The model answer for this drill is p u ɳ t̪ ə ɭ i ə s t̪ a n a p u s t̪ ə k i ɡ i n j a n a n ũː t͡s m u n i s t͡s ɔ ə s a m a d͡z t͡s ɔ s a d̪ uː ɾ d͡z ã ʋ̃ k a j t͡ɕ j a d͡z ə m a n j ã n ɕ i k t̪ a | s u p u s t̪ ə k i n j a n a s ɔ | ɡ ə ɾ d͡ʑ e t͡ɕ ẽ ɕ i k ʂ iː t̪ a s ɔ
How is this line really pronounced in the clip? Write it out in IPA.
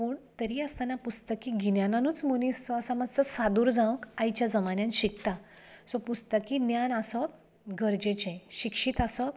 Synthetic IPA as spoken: p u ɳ t̪ ə ɾ i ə s t̪ a n a p u s t̪ ə k i ɡ i n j a n a n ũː t͡s m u n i s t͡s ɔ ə s a m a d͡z t͡s ɔ s a d̪ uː ɾ d͡z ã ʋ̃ k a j t͡ɕ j a d͡z ə m a n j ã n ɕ i k t̪ a | s ɔ p u s t̪ ə k i n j a n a s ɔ | ɡ ə ɾ d͡ʑ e t͡ɕ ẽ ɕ i k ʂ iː t̪ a s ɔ